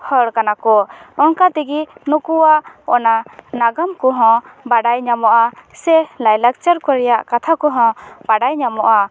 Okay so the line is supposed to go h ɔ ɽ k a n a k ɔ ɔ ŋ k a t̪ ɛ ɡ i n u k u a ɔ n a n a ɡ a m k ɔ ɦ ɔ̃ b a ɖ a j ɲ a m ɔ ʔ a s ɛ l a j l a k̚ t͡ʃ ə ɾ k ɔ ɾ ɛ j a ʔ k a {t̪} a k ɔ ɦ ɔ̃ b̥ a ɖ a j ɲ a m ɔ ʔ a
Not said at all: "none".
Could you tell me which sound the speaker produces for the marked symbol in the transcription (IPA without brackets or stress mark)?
t̪ʰ